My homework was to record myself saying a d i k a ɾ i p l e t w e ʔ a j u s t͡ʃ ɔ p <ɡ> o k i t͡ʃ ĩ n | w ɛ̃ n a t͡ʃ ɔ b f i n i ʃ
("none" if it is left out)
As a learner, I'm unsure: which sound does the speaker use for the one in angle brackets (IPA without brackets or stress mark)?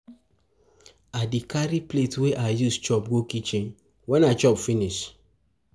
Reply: ɡ